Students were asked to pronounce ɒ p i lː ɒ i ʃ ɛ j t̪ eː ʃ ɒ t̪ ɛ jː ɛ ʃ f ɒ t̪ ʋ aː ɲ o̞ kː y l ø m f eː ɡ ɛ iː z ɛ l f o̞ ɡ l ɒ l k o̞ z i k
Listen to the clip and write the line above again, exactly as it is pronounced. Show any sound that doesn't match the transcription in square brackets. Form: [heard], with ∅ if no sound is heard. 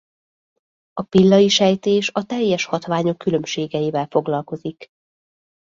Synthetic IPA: ɒ p i lː ɒ i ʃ ɛ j t̪ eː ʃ ɒ t̪ ɛ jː ɛ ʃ [h] ɒ t̪ ʋ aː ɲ o̞ kː y l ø m [ʃ] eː ɡ ɛ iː [v] ɛ l f o̞ ɡ l ɒ l k o̞ z i k